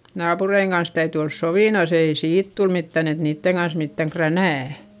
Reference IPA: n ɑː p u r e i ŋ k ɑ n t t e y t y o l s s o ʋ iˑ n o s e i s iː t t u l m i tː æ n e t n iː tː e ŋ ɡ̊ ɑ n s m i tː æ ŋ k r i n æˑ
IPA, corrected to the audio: n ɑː p u r e i ŋ k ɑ n s t æ y t y o l s s o ʋ iˑ n o s e i s iː t t u l m i tː æ n e t n iː tː e ŋ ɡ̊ ɑ n s m i tː æ ŋ k r æ n æˑ